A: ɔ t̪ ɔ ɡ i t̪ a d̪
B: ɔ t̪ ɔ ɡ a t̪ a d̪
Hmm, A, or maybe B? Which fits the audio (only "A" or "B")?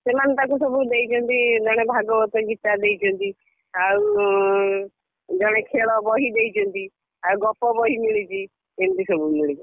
A